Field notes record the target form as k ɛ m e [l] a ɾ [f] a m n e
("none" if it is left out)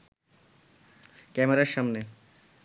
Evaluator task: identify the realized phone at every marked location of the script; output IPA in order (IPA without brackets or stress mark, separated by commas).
ɾ, ʃ